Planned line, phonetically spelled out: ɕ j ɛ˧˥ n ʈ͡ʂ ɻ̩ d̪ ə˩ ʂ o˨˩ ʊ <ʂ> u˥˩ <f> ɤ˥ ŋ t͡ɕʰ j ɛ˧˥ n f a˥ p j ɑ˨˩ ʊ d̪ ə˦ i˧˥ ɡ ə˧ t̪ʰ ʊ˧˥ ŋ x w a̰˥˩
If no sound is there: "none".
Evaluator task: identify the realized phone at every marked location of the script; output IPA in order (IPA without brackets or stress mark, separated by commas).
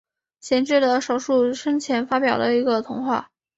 ʂ, ʂ